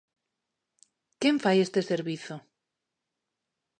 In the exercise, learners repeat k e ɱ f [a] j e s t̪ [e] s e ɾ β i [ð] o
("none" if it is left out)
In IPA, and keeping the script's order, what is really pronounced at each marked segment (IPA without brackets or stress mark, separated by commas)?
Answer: a, e, θ